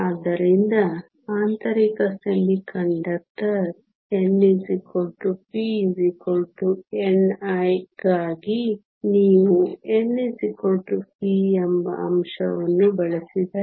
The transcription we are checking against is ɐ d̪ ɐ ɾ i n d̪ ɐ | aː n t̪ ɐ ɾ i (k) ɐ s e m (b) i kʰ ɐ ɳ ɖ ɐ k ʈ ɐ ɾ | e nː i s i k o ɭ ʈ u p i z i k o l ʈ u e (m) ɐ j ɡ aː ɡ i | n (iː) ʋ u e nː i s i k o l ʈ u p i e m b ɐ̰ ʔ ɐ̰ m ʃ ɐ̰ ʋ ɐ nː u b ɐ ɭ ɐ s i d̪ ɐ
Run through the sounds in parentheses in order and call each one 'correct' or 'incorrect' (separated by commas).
correct, correct, incorrect, correct